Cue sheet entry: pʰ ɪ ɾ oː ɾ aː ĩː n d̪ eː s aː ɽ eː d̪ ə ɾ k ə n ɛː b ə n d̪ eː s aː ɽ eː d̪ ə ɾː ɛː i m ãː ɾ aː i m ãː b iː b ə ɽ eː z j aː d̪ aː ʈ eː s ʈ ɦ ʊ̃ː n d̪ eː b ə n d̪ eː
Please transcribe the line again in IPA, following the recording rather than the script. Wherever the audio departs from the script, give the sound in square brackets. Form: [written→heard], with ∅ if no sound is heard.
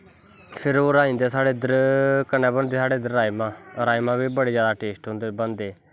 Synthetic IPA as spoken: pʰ ɪ ɾ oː ɾ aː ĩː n d̪ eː s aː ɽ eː d̪ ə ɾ k ə n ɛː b ə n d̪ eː s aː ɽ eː d̪ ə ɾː [ɛː→aː] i m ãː ɾ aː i m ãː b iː b ə ɽ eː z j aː d̪ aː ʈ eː s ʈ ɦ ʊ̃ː n d̪ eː b ə n d̪ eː